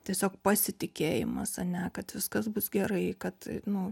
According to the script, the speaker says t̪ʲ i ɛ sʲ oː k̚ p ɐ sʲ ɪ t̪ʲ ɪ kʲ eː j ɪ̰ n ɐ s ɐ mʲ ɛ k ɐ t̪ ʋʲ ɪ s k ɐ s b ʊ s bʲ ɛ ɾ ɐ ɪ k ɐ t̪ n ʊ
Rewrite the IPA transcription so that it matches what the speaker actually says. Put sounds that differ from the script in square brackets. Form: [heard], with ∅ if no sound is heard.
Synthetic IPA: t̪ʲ i ɛ sʲ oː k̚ p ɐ sʲ ɪ t̪ʲ ɪ kʲ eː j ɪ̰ [m] ɐ s ɐ [nʲ] ɛ k ɐ t̪ ʋʲ ɪ s k ɐ s b ʊ s [ɡʲ] ɛ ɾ ɐ ɪ k ɐ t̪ n ʊ